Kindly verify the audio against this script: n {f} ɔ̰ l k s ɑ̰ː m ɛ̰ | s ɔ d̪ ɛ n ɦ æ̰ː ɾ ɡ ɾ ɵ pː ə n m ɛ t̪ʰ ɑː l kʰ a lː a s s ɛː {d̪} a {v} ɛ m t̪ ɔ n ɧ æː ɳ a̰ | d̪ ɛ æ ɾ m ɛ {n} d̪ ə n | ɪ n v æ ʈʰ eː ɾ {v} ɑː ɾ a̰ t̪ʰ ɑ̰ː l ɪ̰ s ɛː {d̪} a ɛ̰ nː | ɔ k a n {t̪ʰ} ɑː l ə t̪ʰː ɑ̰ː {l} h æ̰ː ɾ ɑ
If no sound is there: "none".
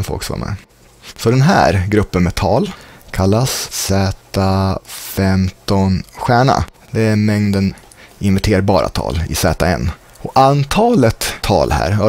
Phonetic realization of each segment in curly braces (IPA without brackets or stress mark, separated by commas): f, t̪, f, ŋ, b, t̪, t̪ʰ, l